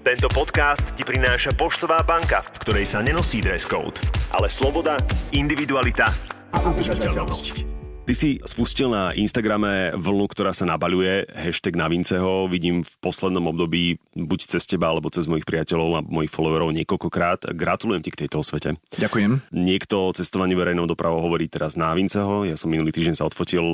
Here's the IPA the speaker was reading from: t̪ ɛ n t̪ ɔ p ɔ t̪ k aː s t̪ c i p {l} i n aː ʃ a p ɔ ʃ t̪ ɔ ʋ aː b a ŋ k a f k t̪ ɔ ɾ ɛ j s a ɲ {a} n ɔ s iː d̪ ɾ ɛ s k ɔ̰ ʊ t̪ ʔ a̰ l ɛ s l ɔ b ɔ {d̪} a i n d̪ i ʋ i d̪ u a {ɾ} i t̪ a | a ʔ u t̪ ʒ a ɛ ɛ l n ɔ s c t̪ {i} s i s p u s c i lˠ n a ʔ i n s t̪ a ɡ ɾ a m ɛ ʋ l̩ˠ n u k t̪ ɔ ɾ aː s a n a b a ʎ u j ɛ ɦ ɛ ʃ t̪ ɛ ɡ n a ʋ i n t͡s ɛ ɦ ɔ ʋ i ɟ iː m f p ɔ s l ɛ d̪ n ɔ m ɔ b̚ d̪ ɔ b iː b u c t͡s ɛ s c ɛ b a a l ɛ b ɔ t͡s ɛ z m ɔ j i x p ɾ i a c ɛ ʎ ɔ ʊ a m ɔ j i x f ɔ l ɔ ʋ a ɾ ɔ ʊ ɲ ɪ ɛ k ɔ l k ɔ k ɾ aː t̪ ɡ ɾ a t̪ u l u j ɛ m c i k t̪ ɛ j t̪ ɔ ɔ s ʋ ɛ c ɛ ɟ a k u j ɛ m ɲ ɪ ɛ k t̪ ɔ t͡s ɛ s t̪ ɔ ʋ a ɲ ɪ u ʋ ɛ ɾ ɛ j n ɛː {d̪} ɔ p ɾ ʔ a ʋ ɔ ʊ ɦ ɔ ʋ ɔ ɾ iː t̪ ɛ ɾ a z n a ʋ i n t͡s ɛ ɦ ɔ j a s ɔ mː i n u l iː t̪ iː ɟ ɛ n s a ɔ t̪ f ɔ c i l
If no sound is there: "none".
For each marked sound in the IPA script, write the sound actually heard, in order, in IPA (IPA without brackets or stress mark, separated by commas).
ɾ, ɛ, d̪, l, i, d̪